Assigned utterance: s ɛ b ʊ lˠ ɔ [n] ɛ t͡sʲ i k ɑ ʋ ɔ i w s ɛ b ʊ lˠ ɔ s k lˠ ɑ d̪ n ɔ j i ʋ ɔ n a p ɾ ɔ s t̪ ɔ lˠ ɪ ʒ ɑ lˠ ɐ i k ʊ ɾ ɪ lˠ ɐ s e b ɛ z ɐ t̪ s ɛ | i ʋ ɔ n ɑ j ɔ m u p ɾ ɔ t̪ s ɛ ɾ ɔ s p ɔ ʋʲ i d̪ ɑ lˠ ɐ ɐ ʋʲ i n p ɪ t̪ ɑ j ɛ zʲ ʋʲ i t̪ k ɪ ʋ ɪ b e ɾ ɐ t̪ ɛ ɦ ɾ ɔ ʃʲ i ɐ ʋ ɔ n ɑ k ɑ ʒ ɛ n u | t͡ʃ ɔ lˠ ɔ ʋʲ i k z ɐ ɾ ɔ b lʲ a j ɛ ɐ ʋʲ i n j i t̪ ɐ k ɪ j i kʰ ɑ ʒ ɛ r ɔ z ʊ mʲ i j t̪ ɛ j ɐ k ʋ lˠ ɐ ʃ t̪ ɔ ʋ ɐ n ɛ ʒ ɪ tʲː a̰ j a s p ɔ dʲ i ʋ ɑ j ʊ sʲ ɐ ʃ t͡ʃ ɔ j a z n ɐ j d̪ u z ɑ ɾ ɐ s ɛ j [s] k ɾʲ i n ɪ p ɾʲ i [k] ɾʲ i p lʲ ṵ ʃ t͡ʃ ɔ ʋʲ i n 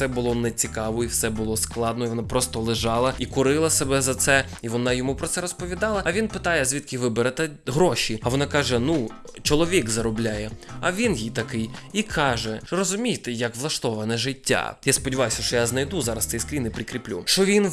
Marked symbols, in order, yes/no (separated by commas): yes, yes, yes